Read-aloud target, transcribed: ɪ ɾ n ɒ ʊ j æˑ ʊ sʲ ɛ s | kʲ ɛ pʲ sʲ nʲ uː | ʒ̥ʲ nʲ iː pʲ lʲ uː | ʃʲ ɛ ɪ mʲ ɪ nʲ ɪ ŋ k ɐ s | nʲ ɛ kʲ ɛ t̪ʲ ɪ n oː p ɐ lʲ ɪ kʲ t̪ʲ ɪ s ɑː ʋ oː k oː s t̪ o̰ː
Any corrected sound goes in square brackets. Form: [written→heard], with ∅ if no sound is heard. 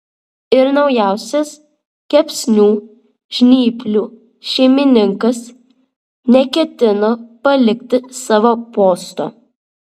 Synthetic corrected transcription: ɪ ɾ n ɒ ʊ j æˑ ʊ sʲ ɛ s | kʲ ɛ pʲ sʲ nʲ uː | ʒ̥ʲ nʲ iː pʲ lʲ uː | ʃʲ ɛ ɪ mʲ ɪ nʲ ɪ ŋ k ɐ s | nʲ ɛ kʲ ɛ t̪ʲ ɪ n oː p ɐ lʲ ɪ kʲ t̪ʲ ɪ s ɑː ʋ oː [k→p] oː s t̪ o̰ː